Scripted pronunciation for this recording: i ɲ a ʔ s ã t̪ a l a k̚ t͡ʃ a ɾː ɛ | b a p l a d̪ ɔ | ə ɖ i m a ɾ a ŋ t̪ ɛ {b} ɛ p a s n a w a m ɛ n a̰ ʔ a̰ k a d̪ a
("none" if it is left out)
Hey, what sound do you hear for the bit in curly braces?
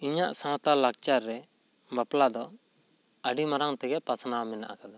ɡ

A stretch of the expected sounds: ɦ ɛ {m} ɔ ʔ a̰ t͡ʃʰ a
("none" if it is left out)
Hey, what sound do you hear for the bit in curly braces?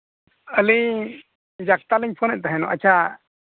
n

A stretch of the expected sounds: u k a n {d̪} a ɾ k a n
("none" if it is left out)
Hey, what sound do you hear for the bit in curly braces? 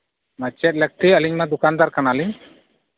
d̪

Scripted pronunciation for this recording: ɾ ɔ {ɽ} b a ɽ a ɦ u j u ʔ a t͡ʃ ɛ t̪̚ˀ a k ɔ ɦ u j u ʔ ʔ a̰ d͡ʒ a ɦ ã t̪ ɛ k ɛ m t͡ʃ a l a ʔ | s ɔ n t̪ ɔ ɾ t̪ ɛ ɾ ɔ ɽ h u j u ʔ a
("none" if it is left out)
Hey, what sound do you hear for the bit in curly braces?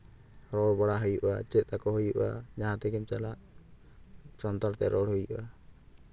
ɽ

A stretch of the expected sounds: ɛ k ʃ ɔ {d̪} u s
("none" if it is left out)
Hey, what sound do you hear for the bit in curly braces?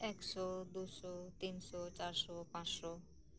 d̪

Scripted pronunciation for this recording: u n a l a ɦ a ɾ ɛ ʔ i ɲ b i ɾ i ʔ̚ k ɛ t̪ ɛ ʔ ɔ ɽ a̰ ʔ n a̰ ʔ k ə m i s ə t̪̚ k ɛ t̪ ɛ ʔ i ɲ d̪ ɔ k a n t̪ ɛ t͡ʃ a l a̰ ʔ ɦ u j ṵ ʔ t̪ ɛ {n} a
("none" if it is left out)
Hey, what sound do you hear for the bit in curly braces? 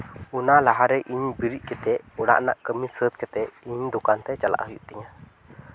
ɲ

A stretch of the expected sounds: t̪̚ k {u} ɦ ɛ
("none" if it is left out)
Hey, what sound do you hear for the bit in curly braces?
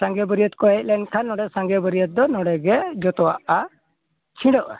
ɔ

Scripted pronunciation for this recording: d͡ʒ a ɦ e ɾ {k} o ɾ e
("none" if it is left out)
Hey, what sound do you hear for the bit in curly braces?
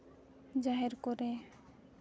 k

